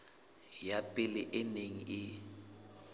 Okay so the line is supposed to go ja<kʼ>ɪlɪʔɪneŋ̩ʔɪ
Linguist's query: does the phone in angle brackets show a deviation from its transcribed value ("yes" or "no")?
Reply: yes